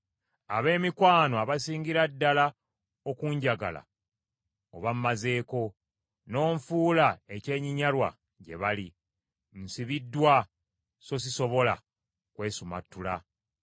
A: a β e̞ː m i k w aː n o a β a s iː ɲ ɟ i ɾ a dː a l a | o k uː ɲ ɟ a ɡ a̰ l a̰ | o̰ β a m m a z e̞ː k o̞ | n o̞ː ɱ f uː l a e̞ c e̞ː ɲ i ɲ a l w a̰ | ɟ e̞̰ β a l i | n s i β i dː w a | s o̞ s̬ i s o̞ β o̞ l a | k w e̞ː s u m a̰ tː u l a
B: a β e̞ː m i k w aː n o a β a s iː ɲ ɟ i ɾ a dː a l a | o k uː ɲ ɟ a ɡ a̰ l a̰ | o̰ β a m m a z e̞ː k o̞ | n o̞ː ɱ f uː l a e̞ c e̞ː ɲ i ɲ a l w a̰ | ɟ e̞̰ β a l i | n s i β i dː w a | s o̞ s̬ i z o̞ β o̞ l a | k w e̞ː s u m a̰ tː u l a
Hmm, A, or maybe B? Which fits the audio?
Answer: A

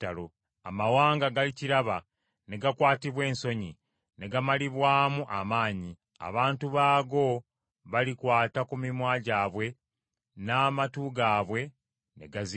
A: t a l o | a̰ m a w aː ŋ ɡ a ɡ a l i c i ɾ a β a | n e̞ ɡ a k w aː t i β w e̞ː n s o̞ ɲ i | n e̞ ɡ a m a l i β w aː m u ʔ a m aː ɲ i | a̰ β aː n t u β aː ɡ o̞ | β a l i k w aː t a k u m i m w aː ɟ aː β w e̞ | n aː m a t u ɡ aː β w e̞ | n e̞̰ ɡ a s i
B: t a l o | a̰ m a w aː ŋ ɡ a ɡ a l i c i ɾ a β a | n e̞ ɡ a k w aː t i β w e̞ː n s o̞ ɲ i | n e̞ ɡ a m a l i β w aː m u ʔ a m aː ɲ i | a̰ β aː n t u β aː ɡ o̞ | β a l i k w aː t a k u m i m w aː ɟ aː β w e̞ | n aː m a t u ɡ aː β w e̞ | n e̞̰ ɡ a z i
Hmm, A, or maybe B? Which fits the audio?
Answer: B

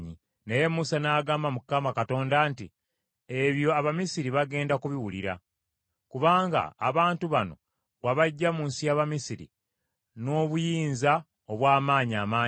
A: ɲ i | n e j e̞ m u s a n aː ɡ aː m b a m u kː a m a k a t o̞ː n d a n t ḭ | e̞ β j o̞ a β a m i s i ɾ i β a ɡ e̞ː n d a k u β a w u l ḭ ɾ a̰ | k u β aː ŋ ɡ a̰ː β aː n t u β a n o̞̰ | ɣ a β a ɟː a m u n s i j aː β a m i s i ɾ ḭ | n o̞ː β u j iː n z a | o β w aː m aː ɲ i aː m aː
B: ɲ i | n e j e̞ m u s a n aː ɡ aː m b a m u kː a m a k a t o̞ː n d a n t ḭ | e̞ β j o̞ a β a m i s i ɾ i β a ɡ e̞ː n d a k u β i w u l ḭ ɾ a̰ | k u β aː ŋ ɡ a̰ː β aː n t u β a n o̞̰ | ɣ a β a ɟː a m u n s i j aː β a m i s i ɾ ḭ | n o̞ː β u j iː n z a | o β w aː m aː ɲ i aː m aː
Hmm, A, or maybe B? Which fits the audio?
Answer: B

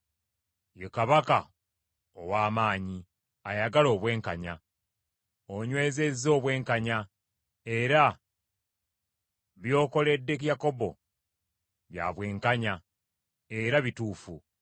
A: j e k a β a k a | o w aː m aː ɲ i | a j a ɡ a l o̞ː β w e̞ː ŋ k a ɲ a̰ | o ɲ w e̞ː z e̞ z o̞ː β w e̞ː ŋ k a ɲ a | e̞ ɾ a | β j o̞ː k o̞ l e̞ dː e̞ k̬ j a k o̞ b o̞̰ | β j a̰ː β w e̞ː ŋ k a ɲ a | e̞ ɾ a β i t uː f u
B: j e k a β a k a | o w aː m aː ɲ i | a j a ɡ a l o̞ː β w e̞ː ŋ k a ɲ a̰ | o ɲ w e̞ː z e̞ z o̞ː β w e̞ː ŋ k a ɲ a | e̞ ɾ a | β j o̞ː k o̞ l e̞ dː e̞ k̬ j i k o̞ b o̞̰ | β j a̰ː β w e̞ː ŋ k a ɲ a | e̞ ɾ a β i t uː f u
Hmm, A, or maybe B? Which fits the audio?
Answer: A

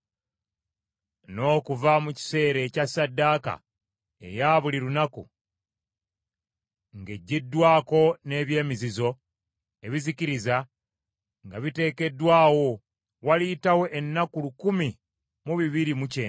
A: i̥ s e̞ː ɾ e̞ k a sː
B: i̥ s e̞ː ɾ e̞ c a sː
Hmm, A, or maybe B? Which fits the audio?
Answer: B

